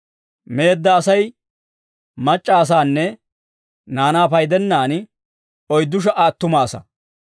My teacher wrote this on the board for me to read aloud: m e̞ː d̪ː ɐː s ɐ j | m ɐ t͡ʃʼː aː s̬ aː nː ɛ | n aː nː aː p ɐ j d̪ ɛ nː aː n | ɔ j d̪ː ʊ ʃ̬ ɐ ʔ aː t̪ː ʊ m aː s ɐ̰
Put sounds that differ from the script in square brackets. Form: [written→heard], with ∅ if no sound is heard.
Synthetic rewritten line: m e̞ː d̪ː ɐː s ɐ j | m ɐ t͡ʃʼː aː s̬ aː nː ɛ | n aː [nː→n] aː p ɐ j d̪ ɛ nː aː n | ɔ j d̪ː ʊ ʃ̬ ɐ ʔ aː t̪ː ʊ m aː s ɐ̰

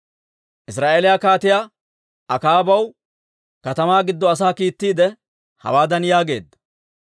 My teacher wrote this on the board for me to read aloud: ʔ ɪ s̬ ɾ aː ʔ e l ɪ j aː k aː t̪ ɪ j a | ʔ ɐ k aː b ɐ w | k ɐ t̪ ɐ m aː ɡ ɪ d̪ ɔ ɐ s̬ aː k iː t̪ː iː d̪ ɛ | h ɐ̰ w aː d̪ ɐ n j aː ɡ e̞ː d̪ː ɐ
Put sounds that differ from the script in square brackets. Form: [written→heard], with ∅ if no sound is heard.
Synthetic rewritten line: ʔ ɪ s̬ ɾ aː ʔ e l ɪ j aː k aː t̪ ɪ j a | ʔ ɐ k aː b ɐ w | k ɐ t̪ ɐ m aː ɡ ɪ [d̪→d̪ː] ɔ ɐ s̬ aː k iː t̪ː iː d̪ ɛ | h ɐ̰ w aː d̪ ɐ n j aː ɡ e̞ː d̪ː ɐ

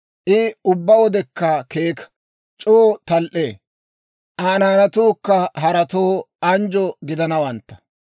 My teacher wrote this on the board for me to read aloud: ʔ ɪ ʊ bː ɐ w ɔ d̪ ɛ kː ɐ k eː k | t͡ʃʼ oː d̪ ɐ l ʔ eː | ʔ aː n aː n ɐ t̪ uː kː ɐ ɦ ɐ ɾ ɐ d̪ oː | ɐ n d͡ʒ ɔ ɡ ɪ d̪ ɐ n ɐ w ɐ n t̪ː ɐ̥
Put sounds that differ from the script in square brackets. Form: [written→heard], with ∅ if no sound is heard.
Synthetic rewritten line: ʔ ɪ ʊ bː ɐ w ɔ d̪ ɛ kː ɐ k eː k | t͡ʃʼ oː [d̪→t̪] ɐ l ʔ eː | ʔ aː n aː n ɐ t̪ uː kː ɐ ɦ ɐ ɾ ɐ [d̪→t̪] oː | ɐ n d͡ʒ ɔ ɡ ɪ d̪ ɐ n ɐ w ɐ n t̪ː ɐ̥

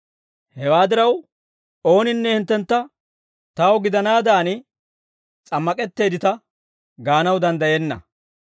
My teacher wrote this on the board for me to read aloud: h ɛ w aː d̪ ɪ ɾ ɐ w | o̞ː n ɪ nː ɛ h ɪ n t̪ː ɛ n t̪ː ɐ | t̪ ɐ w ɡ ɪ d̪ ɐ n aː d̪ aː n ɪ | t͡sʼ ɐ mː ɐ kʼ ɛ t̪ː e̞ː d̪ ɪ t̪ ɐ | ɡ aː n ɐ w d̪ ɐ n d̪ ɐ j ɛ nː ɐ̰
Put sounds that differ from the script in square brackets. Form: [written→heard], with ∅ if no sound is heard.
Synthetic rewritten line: h ɛ w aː d̪ ɪ ɾ ɐ w | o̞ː n ɪ nː ɛ h ɪ n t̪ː ɛ n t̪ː ɐ | t̪ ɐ w ɡ ɪ d̪ ɐ n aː d̪ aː n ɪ | t͡sʼ ɐ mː ɐ kʼ ɛ t̪ː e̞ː d̪ ɪ t̪ ɐ | ɡ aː n ɐ w d̪ ɐ n d̪ ɐ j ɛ nː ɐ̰

